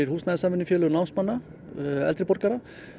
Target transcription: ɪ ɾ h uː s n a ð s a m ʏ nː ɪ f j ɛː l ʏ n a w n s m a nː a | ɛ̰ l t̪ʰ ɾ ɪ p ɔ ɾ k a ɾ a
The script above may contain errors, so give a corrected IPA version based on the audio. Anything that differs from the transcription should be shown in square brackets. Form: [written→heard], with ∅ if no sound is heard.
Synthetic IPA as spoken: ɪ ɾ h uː s n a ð s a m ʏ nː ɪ f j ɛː l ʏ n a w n s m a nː a | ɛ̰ l [t̪ʰ→t̪] ɾ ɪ p ɔ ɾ k a ɾ a

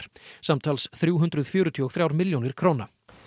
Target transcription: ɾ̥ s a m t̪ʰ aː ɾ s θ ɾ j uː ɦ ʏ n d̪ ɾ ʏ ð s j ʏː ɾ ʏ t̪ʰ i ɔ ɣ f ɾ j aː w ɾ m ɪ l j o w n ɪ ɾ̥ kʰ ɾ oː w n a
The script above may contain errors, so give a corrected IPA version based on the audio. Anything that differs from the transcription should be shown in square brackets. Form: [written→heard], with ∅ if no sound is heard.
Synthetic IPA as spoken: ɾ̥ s a m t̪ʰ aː [ɾ→l] s θ ɾ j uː ɦ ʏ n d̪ ɾ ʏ ð [s→f] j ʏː ɾ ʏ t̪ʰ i ɔ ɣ [f→θ] ɾ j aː w ɾ m ɪ l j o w n ɪ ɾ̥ kʰ ɾ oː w n a

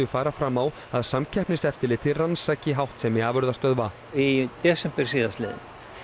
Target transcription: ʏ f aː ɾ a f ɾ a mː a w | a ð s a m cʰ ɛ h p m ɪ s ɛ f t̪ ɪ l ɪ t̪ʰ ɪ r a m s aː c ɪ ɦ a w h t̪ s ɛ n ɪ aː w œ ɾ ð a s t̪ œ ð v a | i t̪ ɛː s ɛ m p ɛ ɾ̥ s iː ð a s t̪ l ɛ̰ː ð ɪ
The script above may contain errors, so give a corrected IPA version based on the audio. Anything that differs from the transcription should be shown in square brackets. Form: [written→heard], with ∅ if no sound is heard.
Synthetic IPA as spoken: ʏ f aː ɾ a f ɾ a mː a w | a ð s a m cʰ ɛ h p [m→n] ɪ s ɛ f t̪ ɪ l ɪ t̪ʰ ɪ r a [m→n] s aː c ɪ ɦ a w h t̪ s ɛ [n→m] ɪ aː [w→v] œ ɾ ð a s t̪ œ ð v a | i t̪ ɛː s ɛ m p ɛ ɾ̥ s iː ð a s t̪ l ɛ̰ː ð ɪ

